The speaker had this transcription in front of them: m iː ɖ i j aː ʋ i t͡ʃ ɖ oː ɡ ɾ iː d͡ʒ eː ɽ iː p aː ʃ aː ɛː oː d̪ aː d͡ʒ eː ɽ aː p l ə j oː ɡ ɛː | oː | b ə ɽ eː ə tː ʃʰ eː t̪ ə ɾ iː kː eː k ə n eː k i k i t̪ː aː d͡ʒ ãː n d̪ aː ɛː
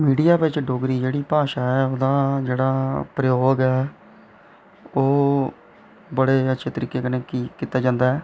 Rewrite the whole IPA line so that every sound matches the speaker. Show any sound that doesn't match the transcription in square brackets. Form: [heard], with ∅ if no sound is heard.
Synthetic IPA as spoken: m iː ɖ i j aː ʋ [ɪ] t͡ʃ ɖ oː ɡ ɾ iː d͡ʒ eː ɽ iː p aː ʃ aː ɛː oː d̪ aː d͡ʒ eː ɽ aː p [ɾ] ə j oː ɡ ɛː | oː | b ə ɽ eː ə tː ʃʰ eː t̪ ə ɾ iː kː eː k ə n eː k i k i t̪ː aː d͡ʒ ãː n d̪ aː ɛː